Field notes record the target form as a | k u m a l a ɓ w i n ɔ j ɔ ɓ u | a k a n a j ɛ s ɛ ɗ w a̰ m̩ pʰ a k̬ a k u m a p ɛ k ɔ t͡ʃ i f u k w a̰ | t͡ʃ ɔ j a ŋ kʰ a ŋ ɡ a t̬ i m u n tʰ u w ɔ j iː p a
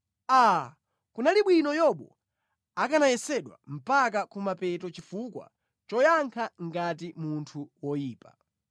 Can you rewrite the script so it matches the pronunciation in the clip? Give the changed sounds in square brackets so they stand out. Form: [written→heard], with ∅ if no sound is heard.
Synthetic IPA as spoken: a | k u [m→n] a l [a→i] ɓ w i n ɔ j ɔ ɓ [u→ɔ] | a k a n a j ɛ s ɛ ɗ w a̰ m̩ [pʰ→p] a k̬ a k u m a p ɛ [k→t] ɔ t͡ʃ i f u k w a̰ | t͡ʃ ɔ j a ŋ kʰ a ŋ ɡ a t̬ i m u n tʰ u w ɔ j iː p a